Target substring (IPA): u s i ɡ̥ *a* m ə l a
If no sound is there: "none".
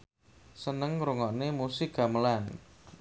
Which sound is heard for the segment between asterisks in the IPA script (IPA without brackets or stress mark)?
a